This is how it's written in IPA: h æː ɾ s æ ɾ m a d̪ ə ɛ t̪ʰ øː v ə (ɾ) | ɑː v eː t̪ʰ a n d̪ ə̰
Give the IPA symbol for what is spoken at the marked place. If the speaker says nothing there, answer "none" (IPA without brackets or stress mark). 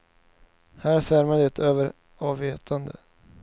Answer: ɾ